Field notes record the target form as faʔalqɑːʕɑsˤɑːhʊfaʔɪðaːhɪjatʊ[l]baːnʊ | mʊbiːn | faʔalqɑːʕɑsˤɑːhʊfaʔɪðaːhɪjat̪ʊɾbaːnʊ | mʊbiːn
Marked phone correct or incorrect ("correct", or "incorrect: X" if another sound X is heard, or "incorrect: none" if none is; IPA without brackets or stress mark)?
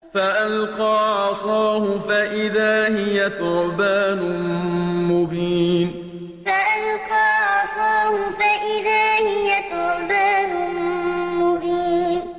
incorrect: ɾ